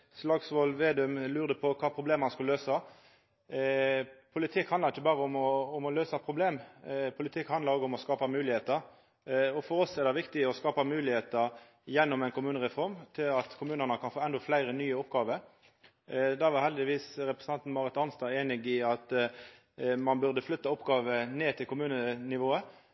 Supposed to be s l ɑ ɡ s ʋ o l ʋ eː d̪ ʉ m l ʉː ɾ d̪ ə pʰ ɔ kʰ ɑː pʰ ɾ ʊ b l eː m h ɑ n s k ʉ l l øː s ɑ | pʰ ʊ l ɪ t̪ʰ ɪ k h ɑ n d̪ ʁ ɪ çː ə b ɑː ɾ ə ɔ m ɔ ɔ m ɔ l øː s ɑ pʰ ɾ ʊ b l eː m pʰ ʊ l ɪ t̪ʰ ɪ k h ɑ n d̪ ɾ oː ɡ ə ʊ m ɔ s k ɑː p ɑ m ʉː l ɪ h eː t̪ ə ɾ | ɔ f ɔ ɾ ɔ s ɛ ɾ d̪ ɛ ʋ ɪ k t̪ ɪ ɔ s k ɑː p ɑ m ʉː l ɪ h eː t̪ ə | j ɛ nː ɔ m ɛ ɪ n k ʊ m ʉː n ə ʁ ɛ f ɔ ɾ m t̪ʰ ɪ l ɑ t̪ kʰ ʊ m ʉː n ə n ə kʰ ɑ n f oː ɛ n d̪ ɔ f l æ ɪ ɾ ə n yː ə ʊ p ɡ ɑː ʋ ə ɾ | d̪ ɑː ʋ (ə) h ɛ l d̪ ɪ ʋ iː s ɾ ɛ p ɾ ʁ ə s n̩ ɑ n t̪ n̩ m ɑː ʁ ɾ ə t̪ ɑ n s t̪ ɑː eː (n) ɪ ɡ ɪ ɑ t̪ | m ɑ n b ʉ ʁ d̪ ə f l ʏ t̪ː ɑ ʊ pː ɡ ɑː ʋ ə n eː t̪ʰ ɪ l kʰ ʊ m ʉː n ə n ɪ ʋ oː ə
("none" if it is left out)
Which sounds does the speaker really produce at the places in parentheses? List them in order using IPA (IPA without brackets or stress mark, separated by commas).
ɑ, n